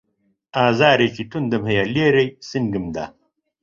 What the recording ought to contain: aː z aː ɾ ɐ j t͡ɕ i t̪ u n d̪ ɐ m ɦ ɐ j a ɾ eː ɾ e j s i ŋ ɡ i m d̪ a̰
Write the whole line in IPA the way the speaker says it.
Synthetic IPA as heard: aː z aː ɾ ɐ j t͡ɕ i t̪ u n d̪ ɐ m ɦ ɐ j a l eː ɾ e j s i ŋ ɡ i m d̪ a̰